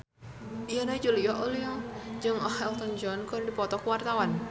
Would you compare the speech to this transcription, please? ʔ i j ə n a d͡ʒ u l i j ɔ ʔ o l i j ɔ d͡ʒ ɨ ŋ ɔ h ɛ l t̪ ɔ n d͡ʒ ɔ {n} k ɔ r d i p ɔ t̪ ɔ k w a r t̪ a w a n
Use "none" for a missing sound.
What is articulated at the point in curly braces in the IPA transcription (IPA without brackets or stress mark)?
n